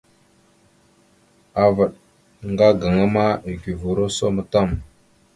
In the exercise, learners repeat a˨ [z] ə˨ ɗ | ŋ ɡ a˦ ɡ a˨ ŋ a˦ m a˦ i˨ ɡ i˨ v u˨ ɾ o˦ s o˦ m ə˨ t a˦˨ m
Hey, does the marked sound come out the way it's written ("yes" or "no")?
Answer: no